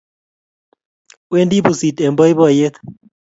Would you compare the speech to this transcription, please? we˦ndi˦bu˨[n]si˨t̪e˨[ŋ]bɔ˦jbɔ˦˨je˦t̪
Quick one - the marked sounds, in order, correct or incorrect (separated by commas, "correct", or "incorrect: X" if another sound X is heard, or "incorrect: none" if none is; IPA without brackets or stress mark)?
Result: incorrect: none, incorrect: m